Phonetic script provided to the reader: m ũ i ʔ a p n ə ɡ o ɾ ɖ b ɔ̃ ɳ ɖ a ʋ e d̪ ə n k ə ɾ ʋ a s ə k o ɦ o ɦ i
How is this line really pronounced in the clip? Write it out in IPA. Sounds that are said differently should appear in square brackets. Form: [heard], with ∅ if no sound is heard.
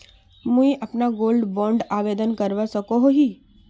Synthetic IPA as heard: m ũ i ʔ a p n [a] ɡ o [l] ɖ b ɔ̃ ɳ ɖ a ʋ e d̪ ə n k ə ɾ ʋ a s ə k o ɦ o ɦ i